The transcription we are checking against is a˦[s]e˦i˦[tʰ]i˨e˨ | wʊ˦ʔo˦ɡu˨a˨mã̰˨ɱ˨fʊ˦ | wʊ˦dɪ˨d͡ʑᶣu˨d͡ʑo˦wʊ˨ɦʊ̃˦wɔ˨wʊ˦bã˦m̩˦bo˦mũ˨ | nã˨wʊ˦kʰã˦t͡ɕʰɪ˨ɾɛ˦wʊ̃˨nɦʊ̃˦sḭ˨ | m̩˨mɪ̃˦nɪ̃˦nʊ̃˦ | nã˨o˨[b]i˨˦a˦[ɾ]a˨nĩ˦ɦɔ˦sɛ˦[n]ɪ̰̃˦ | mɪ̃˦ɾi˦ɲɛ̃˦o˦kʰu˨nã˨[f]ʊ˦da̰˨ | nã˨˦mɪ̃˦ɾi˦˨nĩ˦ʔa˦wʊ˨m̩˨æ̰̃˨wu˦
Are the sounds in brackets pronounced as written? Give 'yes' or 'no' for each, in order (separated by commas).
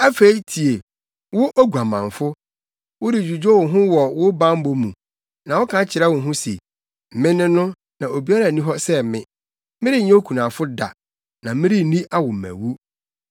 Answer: no, yes, yes, yes, no, yes